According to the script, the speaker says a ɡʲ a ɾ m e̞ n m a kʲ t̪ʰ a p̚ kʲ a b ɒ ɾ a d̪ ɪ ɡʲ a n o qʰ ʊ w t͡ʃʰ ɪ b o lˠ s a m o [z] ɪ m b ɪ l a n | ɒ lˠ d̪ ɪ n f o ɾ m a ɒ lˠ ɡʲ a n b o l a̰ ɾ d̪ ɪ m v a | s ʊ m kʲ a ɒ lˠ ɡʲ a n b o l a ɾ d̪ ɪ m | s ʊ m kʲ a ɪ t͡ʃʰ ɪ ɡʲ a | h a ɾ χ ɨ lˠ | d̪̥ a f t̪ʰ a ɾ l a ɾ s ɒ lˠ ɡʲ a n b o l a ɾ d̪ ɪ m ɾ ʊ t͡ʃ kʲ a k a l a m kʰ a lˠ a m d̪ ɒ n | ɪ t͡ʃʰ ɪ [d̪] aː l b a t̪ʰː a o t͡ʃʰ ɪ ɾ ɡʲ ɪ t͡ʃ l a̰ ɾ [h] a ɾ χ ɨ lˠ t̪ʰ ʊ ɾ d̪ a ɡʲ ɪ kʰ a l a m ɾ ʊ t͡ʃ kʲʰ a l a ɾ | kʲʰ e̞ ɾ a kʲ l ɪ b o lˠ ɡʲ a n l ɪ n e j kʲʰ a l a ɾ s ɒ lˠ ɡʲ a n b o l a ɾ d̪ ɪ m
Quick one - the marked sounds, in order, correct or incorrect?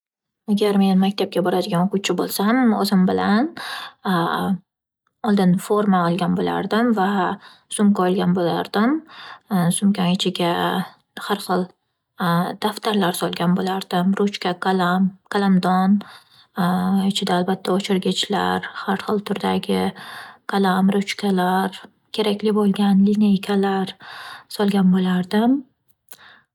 correct, correct, correct

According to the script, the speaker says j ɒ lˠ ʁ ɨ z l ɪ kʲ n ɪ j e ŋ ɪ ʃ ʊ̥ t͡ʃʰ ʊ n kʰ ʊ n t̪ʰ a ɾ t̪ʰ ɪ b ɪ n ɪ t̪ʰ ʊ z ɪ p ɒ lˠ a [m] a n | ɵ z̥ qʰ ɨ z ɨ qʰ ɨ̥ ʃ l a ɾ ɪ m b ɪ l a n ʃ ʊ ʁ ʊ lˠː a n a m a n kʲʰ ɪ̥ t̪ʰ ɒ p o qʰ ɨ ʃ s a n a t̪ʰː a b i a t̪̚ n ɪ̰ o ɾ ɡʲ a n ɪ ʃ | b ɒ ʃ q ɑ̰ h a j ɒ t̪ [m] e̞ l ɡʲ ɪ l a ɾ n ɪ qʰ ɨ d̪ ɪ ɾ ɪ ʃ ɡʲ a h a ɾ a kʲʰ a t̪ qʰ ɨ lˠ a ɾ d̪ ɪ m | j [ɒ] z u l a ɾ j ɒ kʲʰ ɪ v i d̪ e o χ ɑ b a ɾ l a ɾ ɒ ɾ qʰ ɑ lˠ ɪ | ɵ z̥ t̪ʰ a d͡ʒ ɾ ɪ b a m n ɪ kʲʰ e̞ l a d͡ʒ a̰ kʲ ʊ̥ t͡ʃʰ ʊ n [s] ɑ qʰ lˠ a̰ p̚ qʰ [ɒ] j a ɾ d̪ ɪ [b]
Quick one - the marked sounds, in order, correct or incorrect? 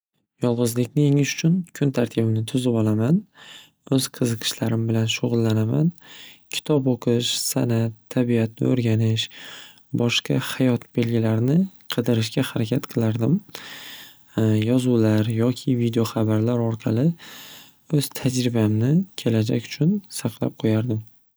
correct, incorrect: b, correct, correct, incorrect: o, incorrect: m

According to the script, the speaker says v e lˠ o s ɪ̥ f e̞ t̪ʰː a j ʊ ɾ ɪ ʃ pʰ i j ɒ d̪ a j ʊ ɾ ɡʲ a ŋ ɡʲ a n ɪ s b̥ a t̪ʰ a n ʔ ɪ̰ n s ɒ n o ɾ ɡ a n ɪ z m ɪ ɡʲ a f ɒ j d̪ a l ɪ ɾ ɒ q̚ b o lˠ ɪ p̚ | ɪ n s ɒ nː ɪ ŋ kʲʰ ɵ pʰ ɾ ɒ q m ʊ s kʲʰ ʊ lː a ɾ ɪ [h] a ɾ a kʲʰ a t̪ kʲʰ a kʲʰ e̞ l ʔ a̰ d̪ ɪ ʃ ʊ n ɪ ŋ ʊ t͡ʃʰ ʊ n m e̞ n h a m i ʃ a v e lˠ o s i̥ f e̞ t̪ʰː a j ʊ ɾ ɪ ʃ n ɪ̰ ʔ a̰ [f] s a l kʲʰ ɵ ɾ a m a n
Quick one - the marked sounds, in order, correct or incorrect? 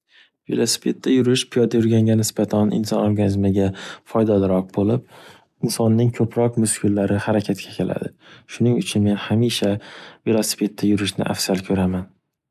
correct, correct

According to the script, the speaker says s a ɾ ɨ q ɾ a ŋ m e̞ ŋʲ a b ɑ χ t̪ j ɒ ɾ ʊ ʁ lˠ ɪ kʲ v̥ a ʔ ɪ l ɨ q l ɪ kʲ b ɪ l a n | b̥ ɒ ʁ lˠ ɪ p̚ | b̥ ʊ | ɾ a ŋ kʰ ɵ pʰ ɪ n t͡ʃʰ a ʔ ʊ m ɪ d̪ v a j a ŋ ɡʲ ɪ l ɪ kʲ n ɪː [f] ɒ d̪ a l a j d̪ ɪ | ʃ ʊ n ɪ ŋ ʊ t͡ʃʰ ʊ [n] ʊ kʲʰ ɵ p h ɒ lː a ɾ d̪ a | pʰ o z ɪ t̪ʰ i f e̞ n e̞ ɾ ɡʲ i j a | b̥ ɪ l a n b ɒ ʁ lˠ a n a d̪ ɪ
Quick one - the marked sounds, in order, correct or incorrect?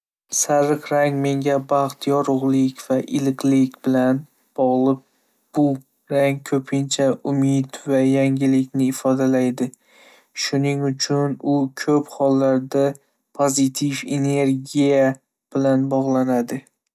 correct, correct

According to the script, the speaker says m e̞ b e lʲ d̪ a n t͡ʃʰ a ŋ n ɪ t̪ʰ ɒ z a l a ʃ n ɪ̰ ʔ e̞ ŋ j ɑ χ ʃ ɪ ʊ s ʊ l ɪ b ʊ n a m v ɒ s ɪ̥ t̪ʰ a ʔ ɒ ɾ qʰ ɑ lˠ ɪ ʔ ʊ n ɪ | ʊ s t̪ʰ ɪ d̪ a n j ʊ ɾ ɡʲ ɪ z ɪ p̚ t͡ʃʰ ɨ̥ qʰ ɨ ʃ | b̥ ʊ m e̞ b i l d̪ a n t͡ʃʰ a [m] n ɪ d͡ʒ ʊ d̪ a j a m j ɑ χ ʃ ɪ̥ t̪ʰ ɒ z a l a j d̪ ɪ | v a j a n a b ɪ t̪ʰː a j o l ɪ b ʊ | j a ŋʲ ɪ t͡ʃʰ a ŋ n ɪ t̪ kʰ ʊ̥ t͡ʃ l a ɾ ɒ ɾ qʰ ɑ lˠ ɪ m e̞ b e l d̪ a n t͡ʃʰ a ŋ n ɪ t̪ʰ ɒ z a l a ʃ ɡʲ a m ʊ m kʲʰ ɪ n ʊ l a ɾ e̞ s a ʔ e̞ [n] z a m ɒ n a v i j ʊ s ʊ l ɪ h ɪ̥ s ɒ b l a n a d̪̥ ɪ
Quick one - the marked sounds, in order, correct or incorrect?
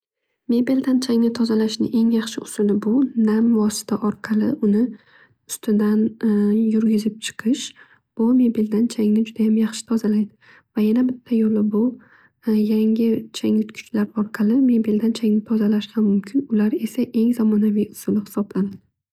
incorrect: ŋ, incorrect: ŋ

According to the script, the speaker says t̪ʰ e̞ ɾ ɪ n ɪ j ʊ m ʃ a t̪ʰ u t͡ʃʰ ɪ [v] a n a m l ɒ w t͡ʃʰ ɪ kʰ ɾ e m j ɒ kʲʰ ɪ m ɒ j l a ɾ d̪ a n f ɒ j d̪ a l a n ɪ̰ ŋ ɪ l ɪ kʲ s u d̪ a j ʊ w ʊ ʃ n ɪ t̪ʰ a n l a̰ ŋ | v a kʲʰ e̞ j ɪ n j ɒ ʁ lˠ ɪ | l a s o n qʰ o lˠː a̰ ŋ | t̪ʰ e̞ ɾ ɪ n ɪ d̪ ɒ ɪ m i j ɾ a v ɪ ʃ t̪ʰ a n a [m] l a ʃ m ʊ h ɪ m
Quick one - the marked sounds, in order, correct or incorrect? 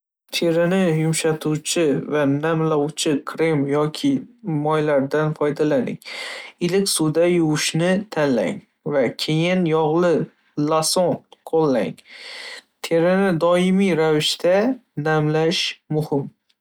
correct, correct

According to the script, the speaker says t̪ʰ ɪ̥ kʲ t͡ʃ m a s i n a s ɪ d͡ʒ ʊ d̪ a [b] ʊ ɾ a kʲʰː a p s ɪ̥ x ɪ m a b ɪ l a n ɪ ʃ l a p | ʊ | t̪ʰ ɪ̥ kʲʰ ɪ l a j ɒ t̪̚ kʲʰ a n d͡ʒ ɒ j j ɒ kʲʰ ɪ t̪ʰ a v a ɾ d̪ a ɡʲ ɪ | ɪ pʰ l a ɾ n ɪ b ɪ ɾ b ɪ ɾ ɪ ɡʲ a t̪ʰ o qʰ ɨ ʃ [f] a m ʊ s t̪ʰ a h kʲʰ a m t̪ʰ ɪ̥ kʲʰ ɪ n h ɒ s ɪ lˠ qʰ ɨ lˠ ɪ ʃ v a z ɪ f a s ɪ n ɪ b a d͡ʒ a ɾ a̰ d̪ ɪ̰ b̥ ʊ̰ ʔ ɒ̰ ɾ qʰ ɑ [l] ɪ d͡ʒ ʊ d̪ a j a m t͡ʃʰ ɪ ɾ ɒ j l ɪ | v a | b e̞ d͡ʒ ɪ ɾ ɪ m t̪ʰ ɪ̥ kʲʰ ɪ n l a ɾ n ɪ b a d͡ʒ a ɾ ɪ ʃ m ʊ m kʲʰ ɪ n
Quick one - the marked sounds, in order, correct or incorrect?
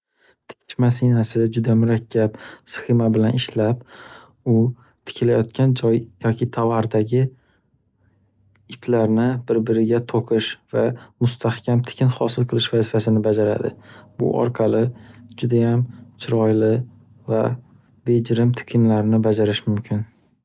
incorrect: m, incorrect: v, correct

